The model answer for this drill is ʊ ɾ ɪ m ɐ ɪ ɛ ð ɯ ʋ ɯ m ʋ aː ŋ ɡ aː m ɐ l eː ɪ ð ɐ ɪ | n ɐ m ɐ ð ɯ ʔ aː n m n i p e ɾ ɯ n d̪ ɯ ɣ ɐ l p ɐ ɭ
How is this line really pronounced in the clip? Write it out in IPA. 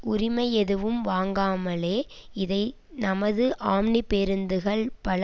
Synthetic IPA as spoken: ʊ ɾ ɪ m ɐ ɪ ɛ ð ɯ ʋ ɯ m ʋ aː ŋ ɡ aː m ɐ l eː ɪ ð ɐ ɪ | n ɐ m ɐ ð ɯ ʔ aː m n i p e ɾ ɯ n d̪ ɯ ɣ ɐ ɭ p ɐ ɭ